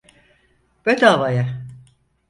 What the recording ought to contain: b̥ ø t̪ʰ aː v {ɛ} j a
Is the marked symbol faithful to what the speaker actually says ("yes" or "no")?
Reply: no